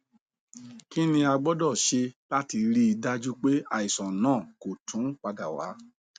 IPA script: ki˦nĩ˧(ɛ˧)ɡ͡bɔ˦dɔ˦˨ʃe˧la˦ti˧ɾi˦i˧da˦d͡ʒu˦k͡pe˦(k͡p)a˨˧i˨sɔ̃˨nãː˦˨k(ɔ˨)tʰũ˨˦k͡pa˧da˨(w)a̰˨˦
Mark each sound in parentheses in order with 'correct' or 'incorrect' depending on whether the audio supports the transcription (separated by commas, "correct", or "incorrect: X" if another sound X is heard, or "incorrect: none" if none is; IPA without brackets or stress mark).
incorrect: a˧, incorrect: none, incorrect: o˨, correct